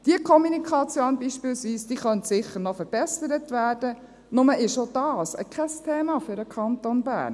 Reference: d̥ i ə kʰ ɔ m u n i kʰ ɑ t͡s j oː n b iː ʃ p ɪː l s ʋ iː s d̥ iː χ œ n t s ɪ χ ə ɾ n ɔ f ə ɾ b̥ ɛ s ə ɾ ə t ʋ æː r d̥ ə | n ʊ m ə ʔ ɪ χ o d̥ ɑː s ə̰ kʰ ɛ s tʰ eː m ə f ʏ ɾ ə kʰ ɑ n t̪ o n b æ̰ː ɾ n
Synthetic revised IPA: d̥ i ə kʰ ɔ m u n i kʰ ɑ t͡s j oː n b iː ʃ p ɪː l s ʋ iː s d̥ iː χ œ n t s ɪ χ ə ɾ n ɔ f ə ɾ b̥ ɛ s ə ɾ ə t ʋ æː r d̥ ə | n ʊ m ə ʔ ɪ ʃ o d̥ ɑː s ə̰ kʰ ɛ s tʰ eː m ɑ f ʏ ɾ ə kʰ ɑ n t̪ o n b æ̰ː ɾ n